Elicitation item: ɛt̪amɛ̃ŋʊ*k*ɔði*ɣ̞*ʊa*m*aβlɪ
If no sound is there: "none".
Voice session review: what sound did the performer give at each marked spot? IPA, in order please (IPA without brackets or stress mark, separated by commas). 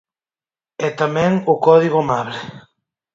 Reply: k, ɣ̞, m